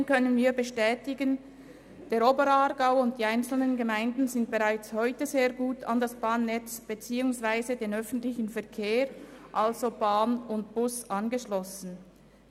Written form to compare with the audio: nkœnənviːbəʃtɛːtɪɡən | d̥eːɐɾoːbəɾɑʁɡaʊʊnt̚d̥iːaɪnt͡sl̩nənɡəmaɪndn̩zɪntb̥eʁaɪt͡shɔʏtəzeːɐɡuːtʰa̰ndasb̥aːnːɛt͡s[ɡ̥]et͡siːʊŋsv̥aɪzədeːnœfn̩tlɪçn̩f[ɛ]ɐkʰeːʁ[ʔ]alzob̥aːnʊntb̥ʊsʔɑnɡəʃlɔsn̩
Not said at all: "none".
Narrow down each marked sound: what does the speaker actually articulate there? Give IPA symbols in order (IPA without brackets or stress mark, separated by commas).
b̥, ɛ, ʔ